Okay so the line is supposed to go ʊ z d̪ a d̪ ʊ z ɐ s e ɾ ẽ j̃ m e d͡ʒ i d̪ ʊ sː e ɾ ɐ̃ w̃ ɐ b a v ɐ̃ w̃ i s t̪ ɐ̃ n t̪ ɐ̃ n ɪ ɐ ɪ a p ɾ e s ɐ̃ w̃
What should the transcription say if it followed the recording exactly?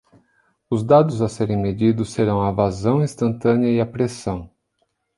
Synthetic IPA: ʊ z d̪ a d̪ ʊ z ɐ s e ɾ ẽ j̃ m e d͡ʒ i d̪ ʊ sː e ɾ ɐ̃ w̃ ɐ v a z ɐ̃ w̃ ĩ s t̪ ɐ̃ n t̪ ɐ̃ n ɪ ɐ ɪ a p ɾ e s ɐ̃ w̃